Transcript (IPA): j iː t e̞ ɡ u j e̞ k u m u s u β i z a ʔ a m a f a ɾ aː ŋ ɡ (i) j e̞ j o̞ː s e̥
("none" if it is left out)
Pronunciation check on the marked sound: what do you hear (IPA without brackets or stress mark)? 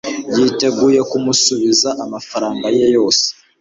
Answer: a